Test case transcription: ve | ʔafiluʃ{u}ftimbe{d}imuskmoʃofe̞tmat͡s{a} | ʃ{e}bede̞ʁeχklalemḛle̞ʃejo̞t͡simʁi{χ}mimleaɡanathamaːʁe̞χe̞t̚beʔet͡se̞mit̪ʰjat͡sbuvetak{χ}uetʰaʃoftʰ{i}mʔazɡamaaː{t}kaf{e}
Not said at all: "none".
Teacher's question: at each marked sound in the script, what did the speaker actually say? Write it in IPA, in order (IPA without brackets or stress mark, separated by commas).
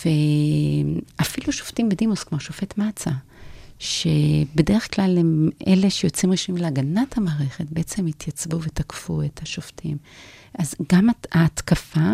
o, d, a, e, ʃ, f, i, t, a